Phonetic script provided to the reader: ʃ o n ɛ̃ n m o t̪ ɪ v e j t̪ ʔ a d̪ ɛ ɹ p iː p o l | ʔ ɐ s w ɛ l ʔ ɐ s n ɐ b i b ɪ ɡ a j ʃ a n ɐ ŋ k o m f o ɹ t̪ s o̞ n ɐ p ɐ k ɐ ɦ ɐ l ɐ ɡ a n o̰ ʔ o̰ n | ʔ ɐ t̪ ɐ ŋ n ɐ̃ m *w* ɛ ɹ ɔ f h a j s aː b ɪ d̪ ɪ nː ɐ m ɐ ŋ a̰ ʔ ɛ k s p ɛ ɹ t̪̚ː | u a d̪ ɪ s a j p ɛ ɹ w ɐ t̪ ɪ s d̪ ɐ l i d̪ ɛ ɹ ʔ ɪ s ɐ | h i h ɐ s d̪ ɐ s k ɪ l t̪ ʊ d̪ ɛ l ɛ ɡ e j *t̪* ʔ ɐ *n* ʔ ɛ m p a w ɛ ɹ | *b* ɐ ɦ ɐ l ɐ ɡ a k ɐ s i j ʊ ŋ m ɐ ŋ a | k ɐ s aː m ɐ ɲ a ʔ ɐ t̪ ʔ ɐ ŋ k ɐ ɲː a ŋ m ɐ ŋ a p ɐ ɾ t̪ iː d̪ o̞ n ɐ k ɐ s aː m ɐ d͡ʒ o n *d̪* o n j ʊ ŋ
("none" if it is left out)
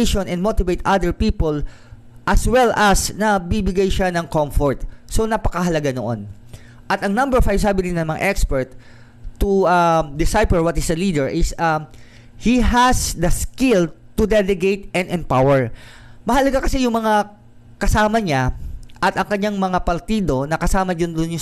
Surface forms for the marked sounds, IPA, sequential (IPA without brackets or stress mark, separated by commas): b, t̪, n, m, d̪